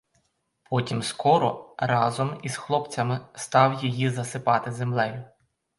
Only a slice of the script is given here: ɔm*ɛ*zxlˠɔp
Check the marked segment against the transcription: incorrect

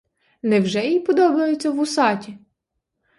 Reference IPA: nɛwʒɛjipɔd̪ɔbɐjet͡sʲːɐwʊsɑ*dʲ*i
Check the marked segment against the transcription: incorrect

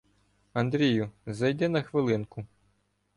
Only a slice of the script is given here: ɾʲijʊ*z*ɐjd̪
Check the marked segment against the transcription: correct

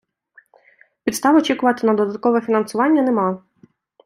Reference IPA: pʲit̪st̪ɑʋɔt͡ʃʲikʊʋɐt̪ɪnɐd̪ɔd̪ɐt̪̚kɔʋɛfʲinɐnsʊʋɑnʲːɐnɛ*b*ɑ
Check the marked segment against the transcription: incorrect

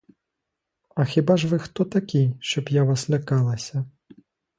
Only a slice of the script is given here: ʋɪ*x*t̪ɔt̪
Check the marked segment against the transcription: correct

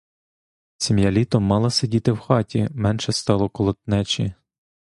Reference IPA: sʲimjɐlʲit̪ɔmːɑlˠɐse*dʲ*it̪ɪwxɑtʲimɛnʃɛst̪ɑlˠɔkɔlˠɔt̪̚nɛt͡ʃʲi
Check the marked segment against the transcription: correct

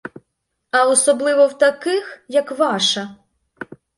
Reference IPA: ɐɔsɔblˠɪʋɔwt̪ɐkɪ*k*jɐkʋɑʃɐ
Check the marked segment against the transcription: incorrect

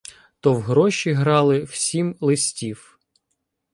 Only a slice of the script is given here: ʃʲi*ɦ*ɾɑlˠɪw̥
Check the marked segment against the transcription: correct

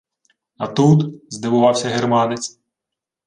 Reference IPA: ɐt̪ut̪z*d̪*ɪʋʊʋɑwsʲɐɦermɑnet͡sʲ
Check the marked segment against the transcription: correct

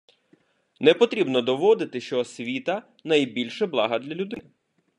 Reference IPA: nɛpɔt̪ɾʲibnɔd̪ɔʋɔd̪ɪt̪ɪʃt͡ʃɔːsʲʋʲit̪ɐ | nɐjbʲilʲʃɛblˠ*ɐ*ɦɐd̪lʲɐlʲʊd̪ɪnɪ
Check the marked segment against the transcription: incorrect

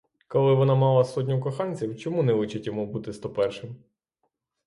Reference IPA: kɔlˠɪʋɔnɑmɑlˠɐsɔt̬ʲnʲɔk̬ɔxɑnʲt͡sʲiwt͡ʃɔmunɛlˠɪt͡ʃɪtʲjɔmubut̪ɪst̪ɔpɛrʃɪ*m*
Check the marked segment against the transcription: correct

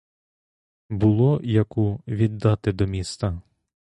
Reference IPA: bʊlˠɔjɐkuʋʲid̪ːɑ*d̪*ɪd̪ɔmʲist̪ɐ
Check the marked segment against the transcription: incorrect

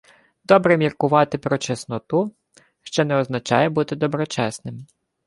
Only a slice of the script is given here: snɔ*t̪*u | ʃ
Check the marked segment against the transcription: correct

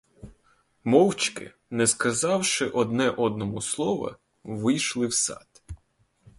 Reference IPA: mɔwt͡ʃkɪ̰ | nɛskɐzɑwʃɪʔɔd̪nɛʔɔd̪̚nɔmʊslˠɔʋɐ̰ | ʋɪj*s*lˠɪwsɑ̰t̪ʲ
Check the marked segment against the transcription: incorrect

